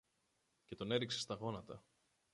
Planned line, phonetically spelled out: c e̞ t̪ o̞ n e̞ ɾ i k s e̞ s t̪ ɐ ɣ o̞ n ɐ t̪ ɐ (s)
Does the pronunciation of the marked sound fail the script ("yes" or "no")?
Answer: yes